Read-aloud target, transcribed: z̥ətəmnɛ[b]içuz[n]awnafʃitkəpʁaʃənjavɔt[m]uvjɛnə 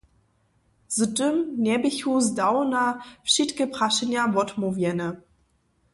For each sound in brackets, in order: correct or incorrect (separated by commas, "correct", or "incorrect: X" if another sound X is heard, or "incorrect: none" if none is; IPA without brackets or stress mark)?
correct, incorrect: d, correct